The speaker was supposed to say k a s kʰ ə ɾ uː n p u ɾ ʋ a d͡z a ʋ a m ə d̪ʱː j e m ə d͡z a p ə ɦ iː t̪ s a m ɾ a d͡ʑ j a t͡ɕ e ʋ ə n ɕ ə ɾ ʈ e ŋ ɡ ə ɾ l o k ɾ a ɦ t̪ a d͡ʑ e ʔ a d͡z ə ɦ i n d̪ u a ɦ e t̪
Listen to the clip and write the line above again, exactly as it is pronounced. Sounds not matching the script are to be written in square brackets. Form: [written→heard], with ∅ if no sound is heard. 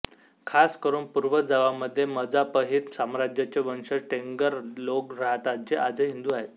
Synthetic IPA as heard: [k→kʰ] a s [kʰ→k] ə ɾ uː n p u ɾ ʋ [a→ə] d͡z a ʋ a m ə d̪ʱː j e m ə d͡z a p ə ɦ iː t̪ s a m ɾ a d͡ʑ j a t͡ɕ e ʋ ə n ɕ ə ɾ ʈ e ŋ ɡ ə ɾ l o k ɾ a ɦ t̪ a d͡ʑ e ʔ a d͡z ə ɦ i n d̪ u a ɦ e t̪